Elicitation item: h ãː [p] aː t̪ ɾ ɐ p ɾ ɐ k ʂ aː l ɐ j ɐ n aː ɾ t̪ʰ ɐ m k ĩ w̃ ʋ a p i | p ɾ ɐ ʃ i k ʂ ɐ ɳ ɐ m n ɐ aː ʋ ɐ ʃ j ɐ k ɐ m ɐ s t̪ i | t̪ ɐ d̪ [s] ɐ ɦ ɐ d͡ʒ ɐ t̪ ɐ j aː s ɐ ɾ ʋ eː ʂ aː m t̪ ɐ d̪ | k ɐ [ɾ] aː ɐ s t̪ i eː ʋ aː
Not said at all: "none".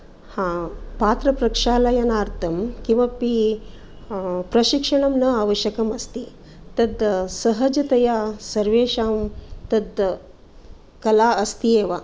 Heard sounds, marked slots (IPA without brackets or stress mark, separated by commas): p, s, l